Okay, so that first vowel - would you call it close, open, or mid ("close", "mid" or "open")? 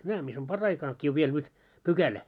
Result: open